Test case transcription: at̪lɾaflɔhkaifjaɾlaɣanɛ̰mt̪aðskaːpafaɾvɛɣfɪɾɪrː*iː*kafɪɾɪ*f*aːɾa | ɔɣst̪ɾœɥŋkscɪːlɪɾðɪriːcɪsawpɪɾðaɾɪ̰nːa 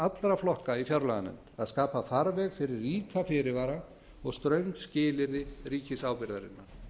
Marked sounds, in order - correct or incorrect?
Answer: correct, incorrect: v

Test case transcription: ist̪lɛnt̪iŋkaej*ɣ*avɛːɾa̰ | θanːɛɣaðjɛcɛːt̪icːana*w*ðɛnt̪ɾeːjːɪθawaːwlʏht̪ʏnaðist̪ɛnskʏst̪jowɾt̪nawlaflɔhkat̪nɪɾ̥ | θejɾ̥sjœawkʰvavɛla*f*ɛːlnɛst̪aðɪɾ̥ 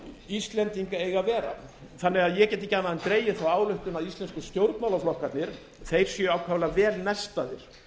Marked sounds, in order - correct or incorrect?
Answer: correct, incorrect: none, incorrect: v

